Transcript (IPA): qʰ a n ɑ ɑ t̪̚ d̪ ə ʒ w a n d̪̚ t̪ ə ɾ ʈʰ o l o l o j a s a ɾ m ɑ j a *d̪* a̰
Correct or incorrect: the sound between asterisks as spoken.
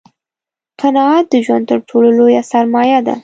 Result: correct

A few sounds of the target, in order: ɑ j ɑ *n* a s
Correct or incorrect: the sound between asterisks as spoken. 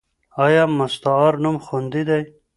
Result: incorrect: m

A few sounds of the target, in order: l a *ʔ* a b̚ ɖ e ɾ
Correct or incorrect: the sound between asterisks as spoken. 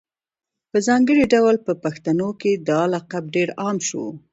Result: incorrect: q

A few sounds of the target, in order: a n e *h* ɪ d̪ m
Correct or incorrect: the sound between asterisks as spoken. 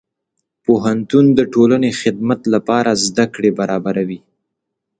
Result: incorrect: x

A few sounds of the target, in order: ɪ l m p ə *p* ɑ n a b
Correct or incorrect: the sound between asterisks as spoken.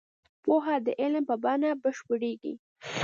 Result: incorrect: b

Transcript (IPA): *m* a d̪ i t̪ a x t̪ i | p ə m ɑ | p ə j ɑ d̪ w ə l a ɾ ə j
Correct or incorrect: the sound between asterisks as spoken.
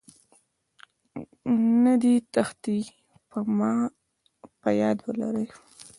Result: incorrect: n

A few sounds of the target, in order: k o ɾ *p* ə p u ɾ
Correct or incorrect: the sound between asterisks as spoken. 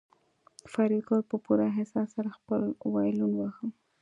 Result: correct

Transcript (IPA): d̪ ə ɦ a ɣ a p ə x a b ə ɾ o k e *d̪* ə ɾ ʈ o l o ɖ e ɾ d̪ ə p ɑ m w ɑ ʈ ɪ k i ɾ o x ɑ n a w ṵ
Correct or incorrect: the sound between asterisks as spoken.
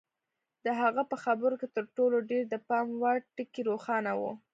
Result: incorrect: t̪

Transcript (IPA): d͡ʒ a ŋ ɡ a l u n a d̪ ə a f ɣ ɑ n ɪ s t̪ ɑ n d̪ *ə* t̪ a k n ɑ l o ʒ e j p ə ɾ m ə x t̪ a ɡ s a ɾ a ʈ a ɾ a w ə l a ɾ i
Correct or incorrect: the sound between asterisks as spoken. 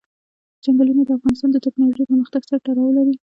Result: correct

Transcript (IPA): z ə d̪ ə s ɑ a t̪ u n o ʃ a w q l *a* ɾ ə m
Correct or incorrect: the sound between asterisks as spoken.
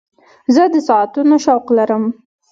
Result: correct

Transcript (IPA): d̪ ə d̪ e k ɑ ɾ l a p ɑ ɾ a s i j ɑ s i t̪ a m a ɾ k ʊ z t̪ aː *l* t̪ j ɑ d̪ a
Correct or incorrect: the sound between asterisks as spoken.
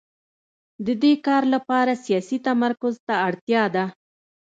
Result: incorrect: ɽ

